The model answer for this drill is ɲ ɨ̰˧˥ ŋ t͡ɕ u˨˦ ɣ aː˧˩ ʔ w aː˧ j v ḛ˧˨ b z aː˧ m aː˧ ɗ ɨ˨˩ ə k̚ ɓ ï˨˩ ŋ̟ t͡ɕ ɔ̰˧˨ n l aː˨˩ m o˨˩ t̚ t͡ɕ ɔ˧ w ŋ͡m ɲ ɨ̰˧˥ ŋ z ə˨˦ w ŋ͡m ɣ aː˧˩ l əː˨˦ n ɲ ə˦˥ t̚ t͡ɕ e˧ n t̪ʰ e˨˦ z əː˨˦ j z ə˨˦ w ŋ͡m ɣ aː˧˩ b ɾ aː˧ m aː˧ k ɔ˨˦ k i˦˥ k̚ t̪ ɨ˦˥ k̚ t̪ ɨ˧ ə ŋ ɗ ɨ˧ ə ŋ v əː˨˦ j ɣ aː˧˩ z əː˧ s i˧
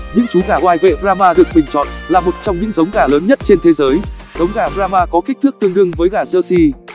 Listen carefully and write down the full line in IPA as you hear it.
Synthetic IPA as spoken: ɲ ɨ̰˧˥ ŋ t͡ɕ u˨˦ ɣ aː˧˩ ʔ w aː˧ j v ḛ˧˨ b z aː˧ m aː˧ ɗ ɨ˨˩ ə k̚ ɓ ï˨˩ ŋ̟ t͡ɕ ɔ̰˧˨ n l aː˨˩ m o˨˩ t̚ t͡ɕ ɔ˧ w ŋ͡m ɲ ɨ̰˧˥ ŋ z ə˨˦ w ŋ͡m ɣ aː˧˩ l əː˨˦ n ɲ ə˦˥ t̚ t͡ɕ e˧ n t̪ʰ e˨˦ z əː˨˦ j z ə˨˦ w ŋ͡m ɣ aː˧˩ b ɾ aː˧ m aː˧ k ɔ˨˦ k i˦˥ k̚ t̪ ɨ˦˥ k̚ t̪ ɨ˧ ə ŋ ɗ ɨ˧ ə ŋ v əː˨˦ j ɣ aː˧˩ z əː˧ s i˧